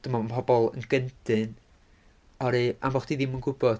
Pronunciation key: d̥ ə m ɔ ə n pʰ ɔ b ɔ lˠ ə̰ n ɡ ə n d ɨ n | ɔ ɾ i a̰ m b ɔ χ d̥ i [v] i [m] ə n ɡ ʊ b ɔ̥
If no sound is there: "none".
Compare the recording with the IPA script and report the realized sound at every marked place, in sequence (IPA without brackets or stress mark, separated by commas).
ð, m